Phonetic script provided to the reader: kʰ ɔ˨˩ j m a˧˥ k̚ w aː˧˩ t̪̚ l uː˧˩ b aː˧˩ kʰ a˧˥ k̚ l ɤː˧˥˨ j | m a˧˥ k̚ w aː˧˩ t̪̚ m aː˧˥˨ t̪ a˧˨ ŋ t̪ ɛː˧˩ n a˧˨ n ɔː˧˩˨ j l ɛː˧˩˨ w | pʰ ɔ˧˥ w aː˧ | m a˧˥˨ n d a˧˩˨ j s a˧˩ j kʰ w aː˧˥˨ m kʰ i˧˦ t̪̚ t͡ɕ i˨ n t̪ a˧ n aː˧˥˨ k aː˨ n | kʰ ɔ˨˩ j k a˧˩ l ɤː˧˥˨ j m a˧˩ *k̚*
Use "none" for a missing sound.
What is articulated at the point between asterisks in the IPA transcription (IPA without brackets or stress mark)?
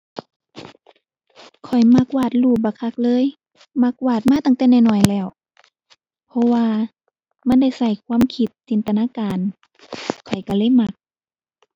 k̚